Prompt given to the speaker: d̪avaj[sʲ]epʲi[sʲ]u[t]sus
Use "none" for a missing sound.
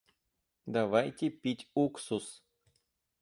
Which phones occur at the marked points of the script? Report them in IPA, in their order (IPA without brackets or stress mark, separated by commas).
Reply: tʲ, tʲ, k